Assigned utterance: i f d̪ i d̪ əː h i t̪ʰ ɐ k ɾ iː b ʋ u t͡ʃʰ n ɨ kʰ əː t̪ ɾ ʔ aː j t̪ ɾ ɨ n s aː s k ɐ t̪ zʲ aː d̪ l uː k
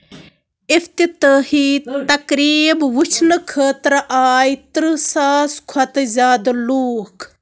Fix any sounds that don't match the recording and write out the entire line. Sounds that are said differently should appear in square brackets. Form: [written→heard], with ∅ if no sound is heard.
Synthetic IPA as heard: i f [d̪→t̪] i [d̪→t̪] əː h i [t̪ʰ→t̪] ɐ k ɾ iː b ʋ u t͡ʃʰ n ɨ kʰ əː t̪ ɾ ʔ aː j t̪ ɾ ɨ [n→∅] s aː s [k→kʰ] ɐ t̪ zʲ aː d̪ l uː k

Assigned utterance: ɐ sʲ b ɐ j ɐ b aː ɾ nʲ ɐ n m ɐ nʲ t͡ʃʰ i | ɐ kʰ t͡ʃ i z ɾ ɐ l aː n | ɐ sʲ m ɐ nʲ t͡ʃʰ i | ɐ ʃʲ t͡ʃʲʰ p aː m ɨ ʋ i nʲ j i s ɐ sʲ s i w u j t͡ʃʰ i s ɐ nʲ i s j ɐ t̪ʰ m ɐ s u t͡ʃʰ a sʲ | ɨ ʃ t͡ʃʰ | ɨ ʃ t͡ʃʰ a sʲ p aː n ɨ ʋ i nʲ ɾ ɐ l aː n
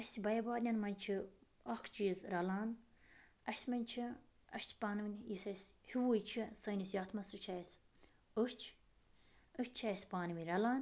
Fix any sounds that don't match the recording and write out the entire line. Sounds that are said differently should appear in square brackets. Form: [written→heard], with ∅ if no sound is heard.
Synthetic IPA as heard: ɐ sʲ b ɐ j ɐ b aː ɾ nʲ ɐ n m ɐ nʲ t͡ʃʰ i | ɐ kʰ t͡ʃ i z ɾ ɐ l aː n | ɐ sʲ m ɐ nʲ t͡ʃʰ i | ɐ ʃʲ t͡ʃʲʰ p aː [m→n] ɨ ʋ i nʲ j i s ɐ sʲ [s→h] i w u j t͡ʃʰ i s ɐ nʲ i s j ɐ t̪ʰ m ɐ s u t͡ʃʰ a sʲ | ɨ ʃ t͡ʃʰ | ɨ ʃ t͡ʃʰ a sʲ p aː n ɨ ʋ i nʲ ɾ ɐ l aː n

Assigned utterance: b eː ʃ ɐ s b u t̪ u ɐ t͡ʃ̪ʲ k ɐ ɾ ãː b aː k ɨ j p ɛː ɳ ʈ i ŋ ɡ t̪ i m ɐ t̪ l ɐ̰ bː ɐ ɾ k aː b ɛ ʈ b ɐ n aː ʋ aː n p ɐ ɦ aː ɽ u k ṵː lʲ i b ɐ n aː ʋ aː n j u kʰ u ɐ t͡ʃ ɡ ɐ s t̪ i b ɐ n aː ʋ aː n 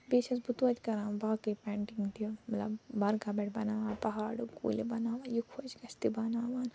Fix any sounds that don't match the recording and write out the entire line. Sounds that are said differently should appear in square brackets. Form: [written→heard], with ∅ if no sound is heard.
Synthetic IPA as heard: b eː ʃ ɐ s b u t̪ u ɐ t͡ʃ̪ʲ k ɐ ɾ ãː b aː k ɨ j p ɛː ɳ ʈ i ŋ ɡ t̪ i m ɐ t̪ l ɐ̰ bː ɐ ɾ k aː b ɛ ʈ b ɐ n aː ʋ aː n p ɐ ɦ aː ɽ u k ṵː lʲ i b ɐ n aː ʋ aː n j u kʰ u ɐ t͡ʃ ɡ ɐ s t̪ i b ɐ n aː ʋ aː n

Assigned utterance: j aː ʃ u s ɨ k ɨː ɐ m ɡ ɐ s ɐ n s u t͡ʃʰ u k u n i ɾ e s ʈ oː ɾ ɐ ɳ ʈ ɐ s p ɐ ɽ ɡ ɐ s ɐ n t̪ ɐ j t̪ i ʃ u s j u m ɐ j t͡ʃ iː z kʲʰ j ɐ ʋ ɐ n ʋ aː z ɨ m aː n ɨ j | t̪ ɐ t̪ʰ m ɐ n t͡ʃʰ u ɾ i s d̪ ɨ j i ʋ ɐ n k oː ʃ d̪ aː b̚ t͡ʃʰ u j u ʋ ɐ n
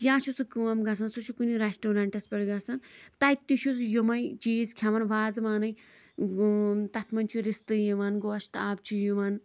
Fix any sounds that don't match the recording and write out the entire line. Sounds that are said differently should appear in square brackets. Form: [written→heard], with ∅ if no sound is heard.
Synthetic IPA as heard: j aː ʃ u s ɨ k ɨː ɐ m ɡ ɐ s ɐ n s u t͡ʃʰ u k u n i ɾ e s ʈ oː ɾ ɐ ɳ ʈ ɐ s p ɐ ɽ ɡ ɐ s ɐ n t̪ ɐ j t̪ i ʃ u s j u m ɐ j t͡ʃ iː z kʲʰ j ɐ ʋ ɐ n ʋ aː z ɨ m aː n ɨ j | t̪ ɐ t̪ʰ m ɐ n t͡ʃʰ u ɾ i s [d̪→t̪] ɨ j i ʋ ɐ n [k→ɡ] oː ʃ [d̪→t̪] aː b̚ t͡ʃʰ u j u ʋ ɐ n

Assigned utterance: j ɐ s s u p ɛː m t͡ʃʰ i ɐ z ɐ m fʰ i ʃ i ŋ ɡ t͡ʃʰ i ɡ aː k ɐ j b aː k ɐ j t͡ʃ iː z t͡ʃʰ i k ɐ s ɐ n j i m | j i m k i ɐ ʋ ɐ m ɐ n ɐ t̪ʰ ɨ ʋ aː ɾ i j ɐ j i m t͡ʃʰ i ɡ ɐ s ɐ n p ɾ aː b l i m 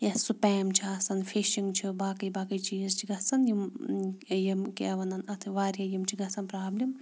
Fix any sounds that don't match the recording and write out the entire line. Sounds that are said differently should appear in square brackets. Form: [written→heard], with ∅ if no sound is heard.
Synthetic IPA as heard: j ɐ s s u p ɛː m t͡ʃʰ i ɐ [z→s] ɐ [m→n] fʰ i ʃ i ŋ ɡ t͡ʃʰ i [ɡ→b] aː k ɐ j b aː k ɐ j t͡ʃ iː z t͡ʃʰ i [k→ɡ] ɐ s ɐ n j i m | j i m k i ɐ ʋ ɐ [m→n] ɐ n ɐ t̪ʰ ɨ ʋ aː ɾ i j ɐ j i m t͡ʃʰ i ɡ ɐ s ɐ n p ɾ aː b l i m

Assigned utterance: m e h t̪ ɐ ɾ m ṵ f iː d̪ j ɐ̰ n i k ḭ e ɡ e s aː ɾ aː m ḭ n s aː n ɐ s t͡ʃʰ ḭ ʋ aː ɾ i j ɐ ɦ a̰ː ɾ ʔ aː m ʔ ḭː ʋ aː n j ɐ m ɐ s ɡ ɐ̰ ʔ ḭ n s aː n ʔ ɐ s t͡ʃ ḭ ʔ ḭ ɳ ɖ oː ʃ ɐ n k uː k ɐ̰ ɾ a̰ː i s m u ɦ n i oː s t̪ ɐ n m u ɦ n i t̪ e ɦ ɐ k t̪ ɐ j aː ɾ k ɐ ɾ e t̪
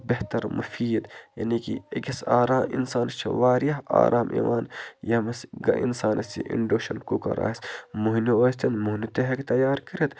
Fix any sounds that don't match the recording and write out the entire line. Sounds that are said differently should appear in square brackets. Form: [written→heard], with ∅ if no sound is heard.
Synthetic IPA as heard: [m→b] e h t̪ ɐ ɾ m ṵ f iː d̪ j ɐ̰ n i k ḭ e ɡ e s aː ɾ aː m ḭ n s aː n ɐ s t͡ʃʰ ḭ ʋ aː ɾ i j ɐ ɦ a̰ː ɾ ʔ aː m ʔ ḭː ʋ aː n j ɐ m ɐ s ɡ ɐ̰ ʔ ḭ n s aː n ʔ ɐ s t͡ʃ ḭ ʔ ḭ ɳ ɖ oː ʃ ɐ n k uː k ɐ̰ ɾ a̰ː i s m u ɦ n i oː s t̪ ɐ n m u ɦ n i t̪ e ɦ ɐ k t̪ ɐ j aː ɾ k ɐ ɾ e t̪

